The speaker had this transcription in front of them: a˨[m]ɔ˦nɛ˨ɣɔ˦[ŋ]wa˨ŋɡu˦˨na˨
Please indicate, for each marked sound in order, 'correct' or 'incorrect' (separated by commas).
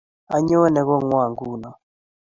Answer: incorrect, correct